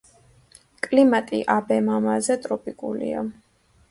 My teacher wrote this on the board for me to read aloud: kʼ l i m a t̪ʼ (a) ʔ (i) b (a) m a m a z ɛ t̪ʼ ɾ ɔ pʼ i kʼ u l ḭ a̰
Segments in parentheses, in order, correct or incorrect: incorrect, incorrect, incorrect

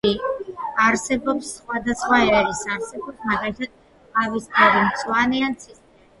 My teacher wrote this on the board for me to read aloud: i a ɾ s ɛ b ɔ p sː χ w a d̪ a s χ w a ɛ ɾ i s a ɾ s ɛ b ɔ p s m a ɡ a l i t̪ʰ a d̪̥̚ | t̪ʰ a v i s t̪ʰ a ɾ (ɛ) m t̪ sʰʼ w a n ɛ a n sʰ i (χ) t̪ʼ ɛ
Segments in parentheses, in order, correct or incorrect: incorrect, incorrect

